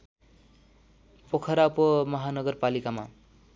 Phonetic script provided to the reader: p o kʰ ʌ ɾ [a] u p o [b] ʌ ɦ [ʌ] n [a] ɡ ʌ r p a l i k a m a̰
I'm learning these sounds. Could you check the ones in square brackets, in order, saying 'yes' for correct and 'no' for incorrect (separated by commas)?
yes, no, no, no